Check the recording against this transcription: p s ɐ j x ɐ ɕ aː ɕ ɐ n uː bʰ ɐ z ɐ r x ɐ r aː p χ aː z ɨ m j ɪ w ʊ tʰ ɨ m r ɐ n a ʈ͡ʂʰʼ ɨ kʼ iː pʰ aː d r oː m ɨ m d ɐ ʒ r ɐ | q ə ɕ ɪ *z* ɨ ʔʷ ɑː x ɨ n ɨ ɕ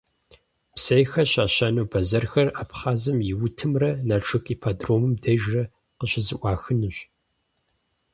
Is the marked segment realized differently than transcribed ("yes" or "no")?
no